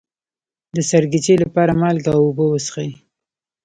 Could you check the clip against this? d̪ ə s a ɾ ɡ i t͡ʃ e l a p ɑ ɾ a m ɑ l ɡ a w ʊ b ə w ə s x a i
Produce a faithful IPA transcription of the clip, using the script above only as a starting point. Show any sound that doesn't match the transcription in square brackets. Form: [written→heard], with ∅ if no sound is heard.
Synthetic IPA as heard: d̪ ə s a ɾ ɡ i t͡ʃ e l a p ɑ ɾ a m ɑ l ɡ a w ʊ b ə w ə s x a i

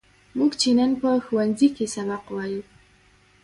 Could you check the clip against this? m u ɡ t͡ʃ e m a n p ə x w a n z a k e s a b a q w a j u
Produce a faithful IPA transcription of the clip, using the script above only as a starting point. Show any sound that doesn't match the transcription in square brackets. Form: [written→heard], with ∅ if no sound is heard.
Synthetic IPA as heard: m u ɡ t͡ʃ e [m→n] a n p ə x w a n z [a→i] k e s a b a q w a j u

